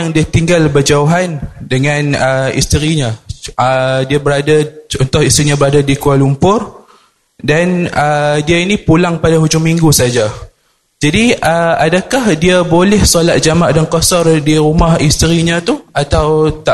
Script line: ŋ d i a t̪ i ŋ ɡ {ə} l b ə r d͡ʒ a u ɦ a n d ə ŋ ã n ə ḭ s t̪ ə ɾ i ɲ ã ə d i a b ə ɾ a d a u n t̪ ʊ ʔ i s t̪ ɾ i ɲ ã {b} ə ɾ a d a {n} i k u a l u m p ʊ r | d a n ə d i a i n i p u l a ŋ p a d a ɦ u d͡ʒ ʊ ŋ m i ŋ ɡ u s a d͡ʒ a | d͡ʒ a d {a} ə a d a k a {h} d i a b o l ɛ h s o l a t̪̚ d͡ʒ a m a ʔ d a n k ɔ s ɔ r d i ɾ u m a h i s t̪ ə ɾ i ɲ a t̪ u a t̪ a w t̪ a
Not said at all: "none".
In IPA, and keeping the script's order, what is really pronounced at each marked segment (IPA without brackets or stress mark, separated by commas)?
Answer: a, b, d, i, h